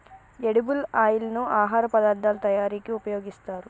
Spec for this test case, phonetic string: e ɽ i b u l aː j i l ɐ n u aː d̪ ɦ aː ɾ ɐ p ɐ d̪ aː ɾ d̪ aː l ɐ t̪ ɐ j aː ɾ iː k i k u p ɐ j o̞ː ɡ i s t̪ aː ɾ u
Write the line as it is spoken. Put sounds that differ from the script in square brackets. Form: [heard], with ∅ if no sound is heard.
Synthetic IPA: e ɽ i b u l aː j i l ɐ n u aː [∅] ɦ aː ɾ ɐ p ɐ d̪ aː ɾ d̪ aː l ɐ t̪ ɐ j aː ɾ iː k i [∅] u p ɐ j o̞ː ɡ i s t̪ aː ɾ u